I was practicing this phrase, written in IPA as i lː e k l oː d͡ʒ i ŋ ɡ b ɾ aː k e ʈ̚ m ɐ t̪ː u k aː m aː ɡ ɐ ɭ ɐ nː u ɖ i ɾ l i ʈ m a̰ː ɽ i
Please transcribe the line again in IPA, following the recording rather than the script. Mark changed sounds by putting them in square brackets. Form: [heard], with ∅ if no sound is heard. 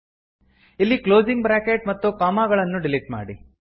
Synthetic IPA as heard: i lː [i] k l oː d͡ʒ i ŋ ɡ b ɾ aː k e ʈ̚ m ɐ t̪ː u k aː m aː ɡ ɐ ɭ ɐ nː u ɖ i [∅] l i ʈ m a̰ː ɽ i